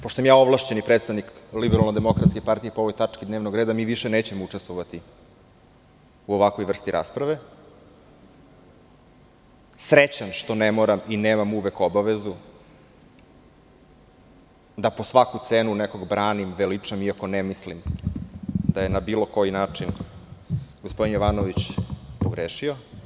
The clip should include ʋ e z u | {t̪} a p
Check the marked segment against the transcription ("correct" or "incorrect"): incorrect